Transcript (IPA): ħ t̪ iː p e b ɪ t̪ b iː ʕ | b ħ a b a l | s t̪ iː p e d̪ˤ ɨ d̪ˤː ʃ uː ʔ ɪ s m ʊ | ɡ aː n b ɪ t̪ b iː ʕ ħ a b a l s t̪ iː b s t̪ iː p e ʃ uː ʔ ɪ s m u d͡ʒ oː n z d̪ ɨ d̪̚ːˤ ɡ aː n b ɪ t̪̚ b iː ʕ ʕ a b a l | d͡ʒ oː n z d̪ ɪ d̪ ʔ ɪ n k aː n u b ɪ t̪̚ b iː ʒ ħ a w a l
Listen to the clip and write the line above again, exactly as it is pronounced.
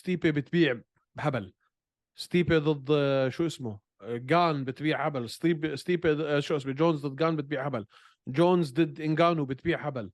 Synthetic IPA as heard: s t̪ iː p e b ɪ t̪ b iː ʕ | b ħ a b a l | s t̪ iː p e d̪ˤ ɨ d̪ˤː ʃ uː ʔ ɪ s m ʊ | ɡ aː n b ɪ t̪ b iː ʕ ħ a b a l s t̪ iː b s t̪ iː p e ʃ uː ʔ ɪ s m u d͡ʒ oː n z d̪ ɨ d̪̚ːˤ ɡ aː n b ɪ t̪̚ b iː ʕ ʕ a b a l | d͡ʒ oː n z d̪ ɪ d̪ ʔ ɪ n ɡ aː n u b ɪ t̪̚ b iː ʕ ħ a b a l